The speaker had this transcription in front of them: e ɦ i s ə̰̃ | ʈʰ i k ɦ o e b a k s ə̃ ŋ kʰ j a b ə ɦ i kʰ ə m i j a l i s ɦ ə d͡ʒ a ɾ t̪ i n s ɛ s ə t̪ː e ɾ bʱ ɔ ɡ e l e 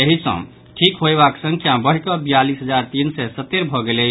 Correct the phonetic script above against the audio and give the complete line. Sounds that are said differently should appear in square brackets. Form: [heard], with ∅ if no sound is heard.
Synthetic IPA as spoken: e ɦ i s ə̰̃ | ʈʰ i k ɦ o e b a k s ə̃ ŋ kʰ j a b ə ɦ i [k] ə [b] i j a l i s ɦ ə d͡ʒ a ɾ t̪ i n s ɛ s ə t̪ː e ɾ bʱ ɔ ɡ e l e